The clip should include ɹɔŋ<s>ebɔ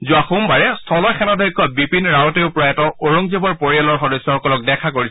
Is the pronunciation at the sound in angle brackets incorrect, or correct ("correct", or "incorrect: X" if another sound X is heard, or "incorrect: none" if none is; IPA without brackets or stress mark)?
incorrect: z